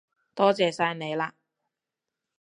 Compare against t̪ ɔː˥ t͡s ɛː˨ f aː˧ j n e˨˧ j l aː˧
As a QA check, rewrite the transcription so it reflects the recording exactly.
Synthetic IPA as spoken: t̪ ɔː˥ t͡s ɛː˨ s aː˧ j n e˨˧ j l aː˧